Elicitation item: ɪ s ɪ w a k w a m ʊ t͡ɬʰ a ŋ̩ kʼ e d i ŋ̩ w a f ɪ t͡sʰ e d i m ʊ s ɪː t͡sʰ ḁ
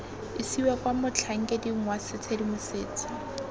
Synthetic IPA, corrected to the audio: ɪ s i w a k w a m ʊ t͡ɬʰ a ŋ̩ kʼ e d i ŋ̩ w a s ɪ t͡sʰ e d i m ʊ s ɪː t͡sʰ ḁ